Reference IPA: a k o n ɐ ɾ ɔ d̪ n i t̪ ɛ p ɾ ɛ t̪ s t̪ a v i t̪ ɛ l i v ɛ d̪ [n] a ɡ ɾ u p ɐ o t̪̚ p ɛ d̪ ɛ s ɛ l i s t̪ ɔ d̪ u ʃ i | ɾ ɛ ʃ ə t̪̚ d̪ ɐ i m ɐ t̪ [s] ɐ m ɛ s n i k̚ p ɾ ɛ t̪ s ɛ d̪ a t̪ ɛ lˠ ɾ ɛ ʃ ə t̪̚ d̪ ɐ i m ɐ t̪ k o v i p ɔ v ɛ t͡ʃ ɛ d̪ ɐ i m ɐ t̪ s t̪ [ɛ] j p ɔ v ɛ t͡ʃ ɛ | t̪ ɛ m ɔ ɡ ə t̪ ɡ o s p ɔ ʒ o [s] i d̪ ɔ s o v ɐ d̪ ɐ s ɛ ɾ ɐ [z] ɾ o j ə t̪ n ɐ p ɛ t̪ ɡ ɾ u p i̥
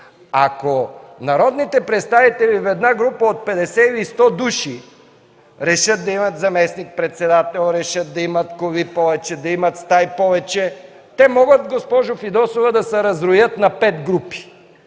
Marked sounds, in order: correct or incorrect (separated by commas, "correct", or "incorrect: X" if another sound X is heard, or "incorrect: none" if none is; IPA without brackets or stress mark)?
correct, incorrect: z, incorrect: a, incorrect: f, correct